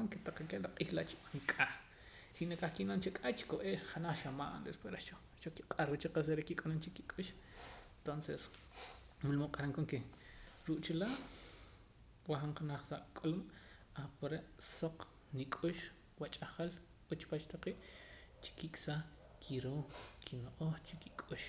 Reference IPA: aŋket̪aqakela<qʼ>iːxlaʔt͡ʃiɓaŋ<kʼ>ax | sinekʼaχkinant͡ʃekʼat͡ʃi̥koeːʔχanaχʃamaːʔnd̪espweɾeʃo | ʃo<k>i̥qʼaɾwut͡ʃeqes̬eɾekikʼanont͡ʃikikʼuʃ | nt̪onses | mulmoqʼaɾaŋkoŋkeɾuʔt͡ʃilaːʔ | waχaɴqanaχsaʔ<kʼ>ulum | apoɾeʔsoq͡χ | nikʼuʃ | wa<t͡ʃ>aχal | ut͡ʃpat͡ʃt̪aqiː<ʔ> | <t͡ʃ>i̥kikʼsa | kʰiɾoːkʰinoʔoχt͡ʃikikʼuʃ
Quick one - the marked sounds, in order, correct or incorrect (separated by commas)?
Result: correct, correct, correct, correct, incorrect, correct, correct